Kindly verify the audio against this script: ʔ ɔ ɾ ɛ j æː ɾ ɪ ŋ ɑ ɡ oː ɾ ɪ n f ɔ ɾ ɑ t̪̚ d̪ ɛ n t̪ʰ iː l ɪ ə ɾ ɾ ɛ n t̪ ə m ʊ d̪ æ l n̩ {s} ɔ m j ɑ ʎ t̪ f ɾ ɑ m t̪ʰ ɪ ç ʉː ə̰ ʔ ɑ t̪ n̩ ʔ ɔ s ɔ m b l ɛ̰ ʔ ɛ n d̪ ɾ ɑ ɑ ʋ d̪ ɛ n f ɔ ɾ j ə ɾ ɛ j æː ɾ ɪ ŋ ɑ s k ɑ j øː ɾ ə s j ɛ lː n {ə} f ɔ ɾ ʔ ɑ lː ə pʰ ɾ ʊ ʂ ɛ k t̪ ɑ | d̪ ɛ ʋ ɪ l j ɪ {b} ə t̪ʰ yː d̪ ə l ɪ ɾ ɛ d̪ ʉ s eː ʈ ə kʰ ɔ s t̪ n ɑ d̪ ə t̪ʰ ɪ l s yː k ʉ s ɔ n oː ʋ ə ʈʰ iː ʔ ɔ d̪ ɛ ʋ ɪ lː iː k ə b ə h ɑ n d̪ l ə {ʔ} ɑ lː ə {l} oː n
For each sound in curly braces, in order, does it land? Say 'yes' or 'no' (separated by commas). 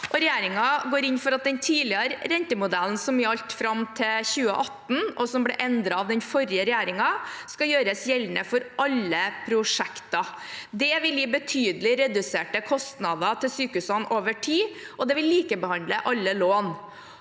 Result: yes, yes, yes, yes, yes